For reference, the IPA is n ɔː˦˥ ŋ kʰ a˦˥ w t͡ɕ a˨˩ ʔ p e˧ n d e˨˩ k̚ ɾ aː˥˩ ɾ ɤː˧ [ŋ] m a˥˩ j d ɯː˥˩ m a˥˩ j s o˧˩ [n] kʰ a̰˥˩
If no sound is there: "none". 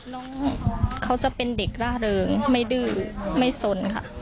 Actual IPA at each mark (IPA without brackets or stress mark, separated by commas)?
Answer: ŋ, n